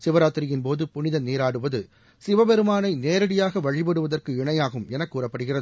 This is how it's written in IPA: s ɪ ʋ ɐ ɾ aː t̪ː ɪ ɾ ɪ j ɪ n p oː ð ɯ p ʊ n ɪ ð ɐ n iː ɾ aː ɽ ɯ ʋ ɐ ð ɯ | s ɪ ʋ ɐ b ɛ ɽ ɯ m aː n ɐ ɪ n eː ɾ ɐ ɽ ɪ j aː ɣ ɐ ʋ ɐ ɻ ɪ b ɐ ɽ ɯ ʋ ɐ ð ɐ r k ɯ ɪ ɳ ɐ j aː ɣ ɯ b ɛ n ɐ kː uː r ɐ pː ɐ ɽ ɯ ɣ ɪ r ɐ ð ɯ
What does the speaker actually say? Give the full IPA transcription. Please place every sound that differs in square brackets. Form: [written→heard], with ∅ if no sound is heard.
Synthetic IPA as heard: s ɪ ʋ ɐ ɾ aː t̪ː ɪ ɾ ɪ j ɪ n p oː ð ɯ p ʊ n ɪ ð ɐ n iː ɾ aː ɽ ɯ ʋ ɐ ð ɯ | s ɪ ʋ ɐ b ɛ [ɽ→ɾ] ɯ m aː n ɐ ɪ n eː ɾ ɐ ɽ ɪ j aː ɣ ɐ ʋ ɐ ɻ ɪ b ɐ ɽ ɯ ʋ ɐ ð ɐ r k ɯ ɪ ɳ ɐ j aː ɣ ɯ [b→m] ɛ n ɐ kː uː r ɐ pː ɐ ɽ ɯ ɣ ɪ r ɐ ð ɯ